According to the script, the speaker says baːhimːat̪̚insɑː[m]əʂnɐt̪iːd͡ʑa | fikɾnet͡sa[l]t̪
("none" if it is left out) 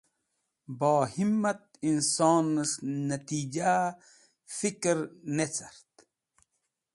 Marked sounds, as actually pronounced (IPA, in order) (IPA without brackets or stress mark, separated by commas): n, ɾ